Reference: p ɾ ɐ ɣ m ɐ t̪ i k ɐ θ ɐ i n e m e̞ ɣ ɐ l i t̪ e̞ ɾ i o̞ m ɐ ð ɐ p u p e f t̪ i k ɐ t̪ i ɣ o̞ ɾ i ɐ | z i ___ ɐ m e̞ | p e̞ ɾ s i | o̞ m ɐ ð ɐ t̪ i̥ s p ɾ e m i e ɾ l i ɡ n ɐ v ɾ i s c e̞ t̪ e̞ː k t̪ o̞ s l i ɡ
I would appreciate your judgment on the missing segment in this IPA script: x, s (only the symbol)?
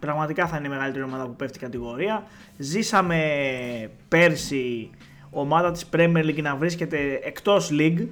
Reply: s